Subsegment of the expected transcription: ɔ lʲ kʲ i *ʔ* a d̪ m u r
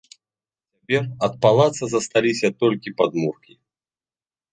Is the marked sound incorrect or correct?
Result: incorrect